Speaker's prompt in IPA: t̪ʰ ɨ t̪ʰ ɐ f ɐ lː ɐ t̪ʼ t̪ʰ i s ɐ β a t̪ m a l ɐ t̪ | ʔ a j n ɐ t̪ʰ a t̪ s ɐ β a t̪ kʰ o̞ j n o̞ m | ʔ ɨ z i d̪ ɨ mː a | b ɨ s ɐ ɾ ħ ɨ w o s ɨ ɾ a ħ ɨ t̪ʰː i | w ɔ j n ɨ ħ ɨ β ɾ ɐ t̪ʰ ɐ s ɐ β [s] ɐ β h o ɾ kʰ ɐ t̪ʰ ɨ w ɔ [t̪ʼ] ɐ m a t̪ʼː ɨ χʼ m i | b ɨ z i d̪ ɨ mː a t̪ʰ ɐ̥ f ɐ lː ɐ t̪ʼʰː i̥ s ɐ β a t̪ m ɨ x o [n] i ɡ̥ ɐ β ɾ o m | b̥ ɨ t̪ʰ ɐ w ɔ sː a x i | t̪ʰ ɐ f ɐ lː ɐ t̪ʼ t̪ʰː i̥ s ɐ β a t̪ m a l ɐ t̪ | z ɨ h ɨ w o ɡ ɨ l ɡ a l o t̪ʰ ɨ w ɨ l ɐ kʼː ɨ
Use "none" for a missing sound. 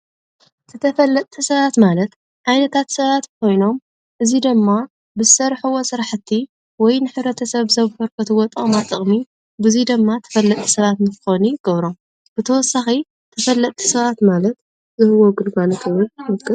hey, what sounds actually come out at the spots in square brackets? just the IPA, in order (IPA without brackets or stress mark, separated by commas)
z, t̪ʼ, n